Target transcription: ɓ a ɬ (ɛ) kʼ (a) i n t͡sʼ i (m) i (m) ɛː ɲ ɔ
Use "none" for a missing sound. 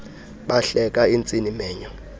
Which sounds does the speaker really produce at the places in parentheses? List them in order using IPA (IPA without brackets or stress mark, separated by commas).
ɛ, a, n, m